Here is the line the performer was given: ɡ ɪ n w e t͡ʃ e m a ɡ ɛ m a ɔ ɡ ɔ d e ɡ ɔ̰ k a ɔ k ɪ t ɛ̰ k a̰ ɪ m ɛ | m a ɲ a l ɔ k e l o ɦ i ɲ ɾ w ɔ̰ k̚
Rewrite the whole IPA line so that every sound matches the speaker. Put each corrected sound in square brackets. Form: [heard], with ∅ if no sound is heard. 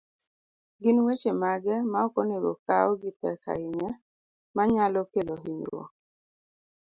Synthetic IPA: ɡ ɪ n w e t͡ʃ e m a ɡ ɛ m a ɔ [k] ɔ [n] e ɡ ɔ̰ k a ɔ [ɡ] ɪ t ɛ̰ k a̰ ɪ [ɲ] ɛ | m a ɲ a l ɔ k e l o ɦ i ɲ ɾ w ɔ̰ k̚